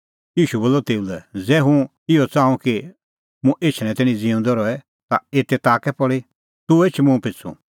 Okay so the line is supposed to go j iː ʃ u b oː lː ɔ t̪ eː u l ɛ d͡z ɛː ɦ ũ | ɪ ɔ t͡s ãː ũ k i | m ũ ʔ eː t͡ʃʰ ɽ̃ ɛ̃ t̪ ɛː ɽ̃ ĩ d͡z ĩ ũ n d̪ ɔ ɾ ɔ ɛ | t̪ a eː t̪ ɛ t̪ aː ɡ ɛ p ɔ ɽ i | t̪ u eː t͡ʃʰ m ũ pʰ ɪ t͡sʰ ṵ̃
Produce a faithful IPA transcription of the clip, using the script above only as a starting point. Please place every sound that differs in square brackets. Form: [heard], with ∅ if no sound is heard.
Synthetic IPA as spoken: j iː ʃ u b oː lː ɔ t̪ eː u l ɛ d͡z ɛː ɦ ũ | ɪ ɔ t͡s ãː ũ k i | m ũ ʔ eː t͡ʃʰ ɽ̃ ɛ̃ t̪ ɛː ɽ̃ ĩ d͡z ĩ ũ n d̪ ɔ ɾ ɔ ɛ | t̪ a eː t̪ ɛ t̪ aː [k] ɛ p ɔ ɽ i | t̪ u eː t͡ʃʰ m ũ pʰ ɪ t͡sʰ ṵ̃